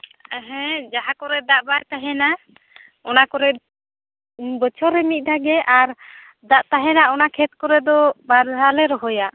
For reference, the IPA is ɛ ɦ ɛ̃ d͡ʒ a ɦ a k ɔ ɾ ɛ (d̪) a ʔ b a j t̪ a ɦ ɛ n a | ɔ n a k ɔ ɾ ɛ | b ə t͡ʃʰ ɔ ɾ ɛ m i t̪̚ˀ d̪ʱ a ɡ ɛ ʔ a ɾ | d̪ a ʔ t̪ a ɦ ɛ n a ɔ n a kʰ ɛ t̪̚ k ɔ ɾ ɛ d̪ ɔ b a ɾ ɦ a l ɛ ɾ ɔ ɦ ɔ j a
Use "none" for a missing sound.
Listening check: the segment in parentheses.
d̪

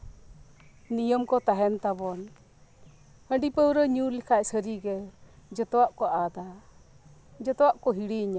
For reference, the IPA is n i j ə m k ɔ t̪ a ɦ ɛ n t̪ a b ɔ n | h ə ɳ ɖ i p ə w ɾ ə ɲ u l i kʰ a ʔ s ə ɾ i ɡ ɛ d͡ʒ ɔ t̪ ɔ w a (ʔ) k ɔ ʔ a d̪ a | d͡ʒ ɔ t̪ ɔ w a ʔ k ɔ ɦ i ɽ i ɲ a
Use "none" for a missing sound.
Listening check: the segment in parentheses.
ʔ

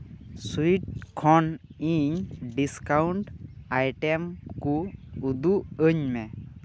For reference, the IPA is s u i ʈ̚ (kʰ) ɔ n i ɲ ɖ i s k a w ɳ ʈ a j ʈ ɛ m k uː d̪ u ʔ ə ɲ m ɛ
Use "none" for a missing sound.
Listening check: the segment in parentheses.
kʰ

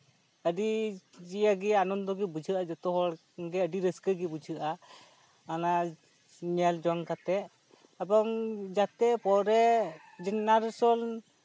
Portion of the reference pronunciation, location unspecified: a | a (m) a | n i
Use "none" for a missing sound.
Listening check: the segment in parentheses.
n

